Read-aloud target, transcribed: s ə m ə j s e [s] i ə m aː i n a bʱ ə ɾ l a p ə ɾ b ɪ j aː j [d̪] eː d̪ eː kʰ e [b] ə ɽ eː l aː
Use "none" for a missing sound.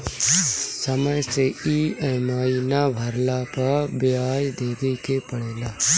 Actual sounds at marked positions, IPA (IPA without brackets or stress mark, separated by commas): none, d̪, p